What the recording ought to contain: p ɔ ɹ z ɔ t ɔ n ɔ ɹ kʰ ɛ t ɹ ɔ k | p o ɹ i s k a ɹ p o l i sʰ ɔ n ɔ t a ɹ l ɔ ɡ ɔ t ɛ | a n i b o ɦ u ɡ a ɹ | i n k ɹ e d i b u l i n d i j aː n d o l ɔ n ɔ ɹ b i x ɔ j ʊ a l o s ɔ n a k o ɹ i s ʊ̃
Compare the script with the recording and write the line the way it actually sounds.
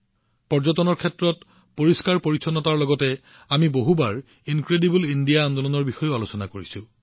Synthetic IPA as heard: p ɔ ɹ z ɔ t ɔ n ɔ ɹ kʰ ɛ t ɹ ɔ t | p o ɹ i s k a ɹ p o ɹ i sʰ ɔ n ɔ t a ɹ l ɔ ɡ ɔ t ɛ | a m i b o ɦ u b a ɹ | i n k ɹ e d i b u l i n d i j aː n d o l ɔ n ɔ ɹ b i x ɔ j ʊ a l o s ɔ n a k o ɹ i s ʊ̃